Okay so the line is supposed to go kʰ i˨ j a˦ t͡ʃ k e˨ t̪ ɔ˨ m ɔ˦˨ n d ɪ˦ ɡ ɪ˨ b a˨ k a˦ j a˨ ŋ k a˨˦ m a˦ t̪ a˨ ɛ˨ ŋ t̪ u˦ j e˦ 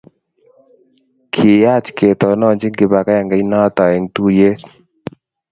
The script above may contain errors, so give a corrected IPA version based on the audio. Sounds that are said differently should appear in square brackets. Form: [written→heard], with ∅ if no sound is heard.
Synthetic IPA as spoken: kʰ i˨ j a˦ t͡ʃ k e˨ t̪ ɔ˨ [m→n] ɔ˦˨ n [d→d͡ʒ] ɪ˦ ɡ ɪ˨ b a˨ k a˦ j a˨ ŋ [k→ɡ] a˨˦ [m→n] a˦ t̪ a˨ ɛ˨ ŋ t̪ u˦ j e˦